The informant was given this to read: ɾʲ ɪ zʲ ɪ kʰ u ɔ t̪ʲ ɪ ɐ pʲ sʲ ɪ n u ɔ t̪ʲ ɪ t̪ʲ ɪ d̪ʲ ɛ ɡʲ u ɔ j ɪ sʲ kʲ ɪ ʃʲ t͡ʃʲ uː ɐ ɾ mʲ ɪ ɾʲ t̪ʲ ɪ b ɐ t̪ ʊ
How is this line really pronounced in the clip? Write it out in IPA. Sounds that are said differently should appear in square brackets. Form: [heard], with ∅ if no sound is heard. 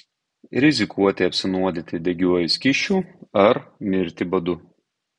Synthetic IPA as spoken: ɾʲ ɪ zʲ ɪ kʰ u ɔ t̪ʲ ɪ ɐ pʲ sʲ ɪ n u ɔ [d̪ʲ] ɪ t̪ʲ ɪ d̪ʲ ɛ ɡʲ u ɔ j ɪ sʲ kʲ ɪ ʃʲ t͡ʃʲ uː ɐ ɾ mʲ ɪ ɾʲ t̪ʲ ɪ b ɐ [d̪] ʊ